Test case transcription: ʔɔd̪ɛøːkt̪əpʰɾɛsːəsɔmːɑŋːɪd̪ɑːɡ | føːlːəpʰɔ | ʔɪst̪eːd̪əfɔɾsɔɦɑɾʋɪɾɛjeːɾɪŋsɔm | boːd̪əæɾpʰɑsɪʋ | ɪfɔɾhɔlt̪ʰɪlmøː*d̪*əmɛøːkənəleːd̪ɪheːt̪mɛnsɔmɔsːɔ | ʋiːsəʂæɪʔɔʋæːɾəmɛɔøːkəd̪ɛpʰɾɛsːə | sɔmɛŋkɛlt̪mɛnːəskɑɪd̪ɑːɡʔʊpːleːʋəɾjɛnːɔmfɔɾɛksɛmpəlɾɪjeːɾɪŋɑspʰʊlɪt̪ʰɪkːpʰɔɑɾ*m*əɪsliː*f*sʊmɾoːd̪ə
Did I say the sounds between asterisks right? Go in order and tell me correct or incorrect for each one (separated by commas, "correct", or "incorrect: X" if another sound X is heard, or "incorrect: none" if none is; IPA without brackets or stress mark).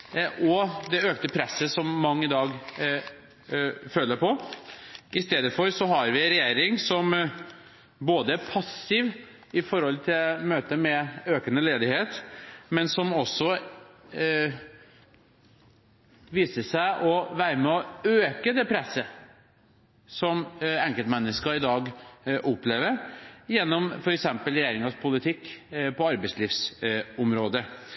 incorrect: t̪, incorrect: b, correct